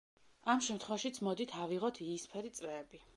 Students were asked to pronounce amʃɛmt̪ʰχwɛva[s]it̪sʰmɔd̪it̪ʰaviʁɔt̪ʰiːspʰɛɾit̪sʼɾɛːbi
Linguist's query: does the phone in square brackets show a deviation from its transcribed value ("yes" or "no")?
yes